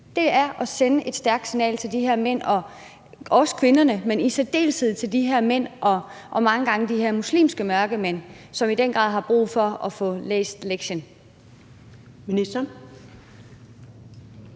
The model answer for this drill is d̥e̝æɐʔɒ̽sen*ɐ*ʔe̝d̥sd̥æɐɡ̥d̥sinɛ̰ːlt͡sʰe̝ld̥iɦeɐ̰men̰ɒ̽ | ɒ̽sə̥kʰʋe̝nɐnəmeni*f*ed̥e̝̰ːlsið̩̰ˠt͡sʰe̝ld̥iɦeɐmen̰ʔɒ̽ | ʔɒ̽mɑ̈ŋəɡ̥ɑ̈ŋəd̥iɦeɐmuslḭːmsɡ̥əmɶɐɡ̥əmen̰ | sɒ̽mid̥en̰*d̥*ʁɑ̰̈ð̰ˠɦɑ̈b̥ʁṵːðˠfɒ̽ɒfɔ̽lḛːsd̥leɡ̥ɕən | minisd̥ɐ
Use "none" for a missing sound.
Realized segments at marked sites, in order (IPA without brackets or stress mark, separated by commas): ə, s, ɡ̥